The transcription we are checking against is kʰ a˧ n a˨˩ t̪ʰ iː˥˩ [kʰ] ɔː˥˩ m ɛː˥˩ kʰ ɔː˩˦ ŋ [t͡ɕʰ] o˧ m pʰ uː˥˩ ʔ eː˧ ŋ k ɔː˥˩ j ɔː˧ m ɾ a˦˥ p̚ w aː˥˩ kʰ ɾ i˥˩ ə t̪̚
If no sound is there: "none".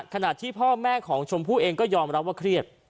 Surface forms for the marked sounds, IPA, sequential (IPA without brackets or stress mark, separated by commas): pʰ, t͡ɕʰ